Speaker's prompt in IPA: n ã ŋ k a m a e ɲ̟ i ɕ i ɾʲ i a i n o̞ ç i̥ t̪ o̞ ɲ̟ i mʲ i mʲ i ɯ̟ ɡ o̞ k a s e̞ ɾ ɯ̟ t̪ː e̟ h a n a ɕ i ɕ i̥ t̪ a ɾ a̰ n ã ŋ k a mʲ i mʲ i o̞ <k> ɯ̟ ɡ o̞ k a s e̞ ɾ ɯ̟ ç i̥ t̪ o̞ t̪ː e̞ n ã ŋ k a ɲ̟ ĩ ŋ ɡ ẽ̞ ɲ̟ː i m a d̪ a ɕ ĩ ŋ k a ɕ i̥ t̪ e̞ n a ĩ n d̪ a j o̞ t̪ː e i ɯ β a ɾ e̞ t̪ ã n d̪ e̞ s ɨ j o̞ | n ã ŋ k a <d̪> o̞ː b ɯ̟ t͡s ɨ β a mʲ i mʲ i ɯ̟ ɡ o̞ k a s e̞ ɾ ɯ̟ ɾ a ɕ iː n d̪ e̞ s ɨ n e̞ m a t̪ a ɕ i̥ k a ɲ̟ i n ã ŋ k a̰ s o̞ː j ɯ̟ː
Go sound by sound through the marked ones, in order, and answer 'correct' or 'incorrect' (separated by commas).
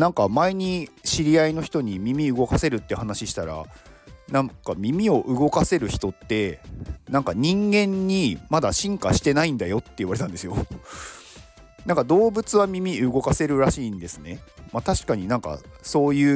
incorrect, correct